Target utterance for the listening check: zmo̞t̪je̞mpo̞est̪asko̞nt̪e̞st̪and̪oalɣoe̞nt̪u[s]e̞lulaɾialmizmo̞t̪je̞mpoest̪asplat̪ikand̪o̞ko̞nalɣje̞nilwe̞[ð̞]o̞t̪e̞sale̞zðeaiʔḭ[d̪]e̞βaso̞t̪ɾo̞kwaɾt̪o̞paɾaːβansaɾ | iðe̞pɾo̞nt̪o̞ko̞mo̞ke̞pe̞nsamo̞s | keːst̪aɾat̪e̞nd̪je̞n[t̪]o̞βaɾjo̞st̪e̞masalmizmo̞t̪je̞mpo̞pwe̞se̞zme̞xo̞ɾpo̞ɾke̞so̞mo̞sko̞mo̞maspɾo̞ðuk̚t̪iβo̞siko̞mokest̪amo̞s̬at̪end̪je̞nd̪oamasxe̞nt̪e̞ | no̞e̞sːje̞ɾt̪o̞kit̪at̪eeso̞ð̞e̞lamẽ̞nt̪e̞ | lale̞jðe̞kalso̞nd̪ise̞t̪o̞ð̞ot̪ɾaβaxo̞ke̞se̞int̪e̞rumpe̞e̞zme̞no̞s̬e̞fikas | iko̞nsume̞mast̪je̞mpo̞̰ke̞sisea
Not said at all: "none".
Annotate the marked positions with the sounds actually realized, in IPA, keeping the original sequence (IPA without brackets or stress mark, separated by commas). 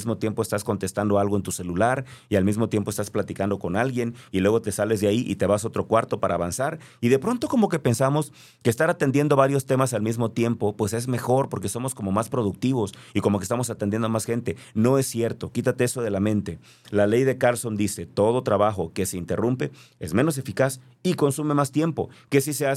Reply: s, ɣ̞, t̪, d̪